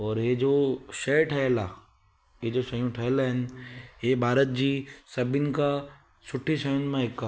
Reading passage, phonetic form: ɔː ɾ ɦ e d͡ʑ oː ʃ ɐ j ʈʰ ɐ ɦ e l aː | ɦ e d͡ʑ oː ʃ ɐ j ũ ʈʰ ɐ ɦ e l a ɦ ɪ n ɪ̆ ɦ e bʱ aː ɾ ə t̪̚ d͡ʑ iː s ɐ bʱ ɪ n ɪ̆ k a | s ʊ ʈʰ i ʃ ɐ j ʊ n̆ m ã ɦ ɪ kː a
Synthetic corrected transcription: ɔː ɾ ɦ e d͡ʑ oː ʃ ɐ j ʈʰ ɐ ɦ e l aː | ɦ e d͡ʑ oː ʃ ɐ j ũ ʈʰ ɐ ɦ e l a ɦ ɪ n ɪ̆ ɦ e bʱ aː ɾ ə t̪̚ d͡ʑ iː s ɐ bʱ ɪ n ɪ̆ k a | s ʊ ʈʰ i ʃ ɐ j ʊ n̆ m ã ɦ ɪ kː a